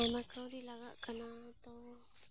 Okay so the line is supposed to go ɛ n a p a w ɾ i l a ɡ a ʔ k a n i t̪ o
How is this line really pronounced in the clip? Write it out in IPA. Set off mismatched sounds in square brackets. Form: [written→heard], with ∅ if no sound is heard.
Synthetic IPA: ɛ [n→m] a [p→k] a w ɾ i l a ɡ a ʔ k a n [i→a] t̪ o